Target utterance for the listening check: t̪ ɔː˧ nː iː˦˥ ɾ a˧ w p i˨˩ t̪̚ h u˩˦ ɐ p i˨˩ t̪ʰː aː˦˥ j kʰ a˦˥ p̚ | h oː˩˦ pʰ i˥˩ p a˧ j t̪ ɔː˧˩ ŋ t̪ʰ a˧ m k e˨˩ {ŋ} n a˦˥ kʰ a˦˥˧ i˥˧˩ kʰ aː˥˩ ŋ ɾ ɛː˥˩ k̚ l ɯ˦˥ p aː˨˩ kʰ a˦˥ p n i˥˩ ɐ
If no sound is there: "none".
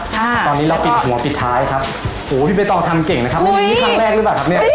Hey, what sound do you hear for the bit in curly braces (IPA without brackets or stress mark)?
ŋ